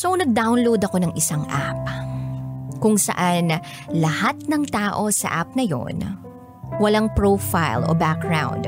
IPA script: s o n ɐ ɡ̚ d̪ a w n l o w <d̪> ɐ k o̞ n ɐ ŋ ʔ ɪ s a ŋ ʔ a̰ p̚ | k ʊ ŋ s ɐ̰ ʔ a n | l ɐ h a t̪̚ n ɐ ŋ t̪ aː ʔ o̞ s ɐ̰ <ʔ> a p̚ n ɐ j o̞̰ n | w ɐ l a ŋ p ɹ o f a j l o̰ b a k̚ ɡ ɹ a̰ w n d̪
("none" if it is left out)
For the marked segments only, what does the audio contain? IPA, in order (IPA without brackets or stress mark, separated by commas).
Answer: d̪, ʔ